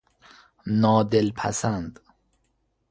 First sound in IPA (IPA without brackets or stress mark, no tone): n